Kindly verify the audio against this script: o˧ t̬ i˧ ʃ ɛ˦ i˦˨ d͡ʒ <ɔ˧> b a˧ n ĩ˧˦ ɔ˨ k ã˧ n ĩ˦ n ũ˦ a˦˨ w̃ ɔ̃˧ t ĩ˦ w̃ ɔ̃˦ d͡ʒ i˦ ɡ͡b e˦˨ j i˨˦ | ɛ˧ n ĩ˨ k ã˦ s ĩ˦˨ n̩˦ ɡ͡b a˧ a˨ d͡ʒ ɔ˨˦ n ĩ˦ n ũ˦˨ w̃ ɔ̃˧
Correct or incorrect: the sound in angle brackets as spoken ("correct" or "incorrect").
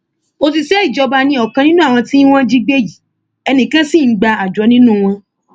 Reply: correct